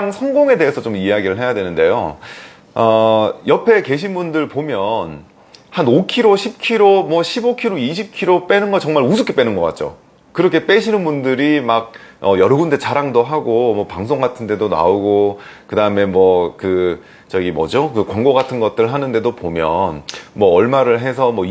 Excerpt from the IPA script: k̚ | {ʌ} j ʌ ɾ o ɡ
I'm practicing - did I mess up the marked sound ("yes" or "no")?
no